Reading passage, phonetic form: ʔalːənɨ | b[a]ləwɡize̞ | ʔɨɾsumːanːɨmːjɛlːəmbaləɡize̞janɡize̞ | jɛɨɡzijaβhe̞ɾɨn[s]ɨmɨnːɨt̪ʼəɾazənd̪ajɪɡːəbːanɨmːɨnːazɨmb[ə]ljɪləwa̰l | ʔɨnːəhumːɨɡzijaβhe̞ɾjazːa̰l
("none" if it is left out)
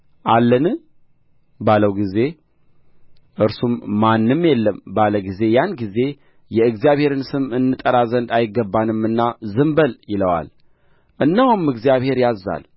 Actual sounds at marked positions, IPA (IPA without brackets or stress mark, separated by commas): a, s, ə